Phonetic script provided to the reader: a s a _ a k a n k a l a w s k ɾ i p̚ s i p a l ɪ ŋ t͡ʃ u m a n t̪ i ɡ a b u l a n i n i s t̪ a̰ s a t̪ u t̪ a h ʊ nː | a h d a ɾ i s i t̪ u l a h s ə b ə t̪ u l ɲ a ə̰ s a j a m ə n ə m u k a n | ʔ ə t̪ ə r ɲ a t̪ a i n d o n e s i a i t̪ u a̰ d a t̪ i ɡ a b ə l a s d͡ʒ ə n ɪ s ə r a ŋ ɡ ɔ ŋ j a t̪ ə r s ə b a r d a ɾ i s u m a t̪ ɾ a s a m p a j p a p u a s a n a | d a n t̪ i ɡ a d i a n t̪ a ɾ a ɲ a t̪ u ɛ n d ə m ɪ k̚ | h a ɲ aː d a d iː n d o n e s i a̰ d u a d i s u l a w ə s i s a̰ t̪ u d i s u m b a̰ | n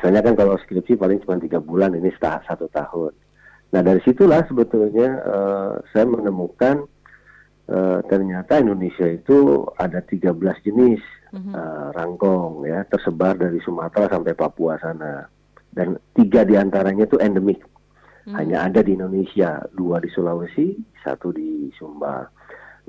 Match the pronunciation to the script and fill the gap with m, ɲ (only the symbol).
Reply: ɲ